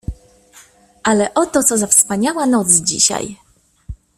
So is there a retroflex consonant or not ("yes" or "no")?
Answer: no